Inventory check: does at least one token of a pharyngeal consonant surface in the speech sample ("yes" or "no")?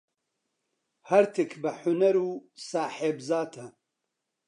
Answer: yes